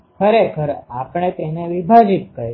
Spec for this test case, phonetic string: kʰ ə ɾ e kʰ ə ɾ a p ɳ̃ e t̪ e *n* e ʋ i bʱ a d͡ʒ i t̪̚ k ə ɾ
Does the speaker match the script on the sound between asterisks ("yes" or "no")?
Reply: yes